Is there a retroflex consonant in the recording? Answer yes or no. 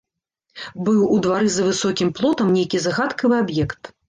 no